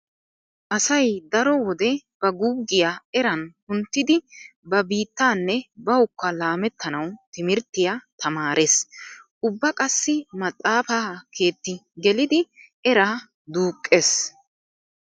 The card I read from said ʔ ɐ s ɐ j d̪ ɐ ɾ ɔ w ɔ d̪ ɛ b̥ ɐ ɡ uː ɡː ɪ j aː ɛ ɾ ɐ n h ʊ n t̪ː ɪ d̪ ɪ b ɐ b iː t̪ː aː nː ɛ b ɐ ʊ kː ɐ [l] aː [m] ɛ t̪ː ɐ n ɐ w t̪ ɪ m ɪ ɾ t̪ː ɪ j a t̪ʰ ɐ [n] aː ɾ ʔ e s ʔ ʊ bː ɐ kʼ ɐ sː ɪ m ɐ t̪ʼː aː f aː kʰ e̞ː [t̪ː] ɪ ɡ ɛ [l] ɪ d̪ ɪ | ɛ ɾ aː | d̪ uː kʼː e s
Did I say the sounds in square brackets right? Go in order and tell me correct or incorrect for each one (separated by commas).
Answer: correct, correct, incorrect, correct, correct